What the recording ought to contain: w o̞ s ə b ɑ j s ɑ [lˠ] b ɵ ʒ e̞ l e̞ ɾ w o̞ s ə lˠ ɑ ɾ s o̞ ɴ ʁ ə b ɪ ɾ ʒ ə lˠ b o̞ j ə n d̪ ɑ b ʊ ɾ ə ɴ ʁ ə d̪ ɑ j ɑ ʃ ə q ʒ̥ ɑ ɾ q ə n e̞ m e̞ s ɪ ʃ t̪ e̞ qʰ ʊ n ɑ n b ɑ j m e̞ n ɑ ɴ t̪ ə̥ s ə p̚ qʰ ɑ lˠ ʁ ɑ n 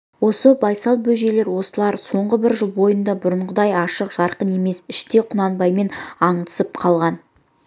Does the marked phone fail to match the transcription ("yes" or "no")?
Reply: no